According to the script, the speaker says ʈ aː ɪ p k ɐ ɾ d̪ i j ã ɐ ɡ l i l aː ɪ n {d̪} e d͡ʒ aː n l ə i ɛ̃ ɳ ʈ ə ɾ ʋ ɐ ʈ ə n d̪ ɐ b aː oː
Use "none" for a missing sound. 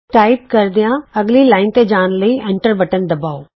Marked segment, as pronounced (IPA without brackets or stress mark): t̪